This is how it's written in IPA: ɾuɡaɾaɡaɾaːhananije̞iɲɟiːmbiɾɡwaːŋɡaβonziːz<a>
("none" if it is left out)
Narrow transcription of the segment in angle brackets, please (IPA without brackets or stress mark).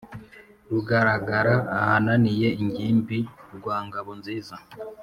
a